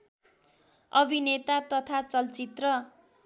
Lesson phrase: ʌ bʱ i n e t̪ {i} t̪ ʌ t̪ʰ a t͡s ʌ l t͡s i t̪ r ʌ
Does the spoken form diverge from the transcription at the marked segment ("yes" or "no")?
yes